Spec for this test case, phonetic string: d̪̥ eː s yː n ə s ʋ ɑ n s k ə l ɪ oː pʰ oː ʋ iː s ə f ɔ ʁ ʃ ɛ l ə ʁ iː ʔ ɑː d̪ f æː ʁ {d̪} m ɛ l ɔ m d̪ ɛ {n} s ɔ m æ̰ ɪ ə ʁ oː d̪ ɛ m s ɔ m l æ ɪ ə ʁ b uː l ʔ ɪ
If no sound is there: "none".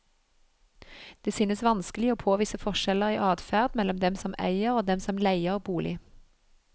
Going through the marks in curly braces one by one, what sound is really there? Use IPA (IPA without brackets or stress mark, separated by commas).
d̪, m